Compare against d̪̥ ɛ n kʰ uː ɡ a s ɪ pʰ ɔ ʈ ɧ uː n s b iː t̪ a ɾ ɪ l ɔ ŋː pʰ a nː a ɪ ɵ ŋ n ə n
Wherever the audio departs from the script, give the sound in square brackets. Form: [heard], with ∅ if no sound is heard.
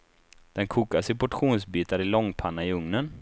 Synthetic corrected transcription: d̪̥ ɛ n kʰ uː [k] a s ɪ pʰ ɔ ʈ ɧ uː n s b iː t̪ a ɾ ɪ l ɔ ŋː pʰ a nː a ɪ ɵ ŋ n ə n